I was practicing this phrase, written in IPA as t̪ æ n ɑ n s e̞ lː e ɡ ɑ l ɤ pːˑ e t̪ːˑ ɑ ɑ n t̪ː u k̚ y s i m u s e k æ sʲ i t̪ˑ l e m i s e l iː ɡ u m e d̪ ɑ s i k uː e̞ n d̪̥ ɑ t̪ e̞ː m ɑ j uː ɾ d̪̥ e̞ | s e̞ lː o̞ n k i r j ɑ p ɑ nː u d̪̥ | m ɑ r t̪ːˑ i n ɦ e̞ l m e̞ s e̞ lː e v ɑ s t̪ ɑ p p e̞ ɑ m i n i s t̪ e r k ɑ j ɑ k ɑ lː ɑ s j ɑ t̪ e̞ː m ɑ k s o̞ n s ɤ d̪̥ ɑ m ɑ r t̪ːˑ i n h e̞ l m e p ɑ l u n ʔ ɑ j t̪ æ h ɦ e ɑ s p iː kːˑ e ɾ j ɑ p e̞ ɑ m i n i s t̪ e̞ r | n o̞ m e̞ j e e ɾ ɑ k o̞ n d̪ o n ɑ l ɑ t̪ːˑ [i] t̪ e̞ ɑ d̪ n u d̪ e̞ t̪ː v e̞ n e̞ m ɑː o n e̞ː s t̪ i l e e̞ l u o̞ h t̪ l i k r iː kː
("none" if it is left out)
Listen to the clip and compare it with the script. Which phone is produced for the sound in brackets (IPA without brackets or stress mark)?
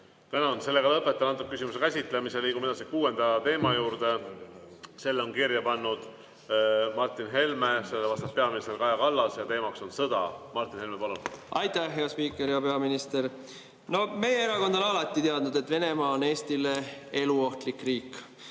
i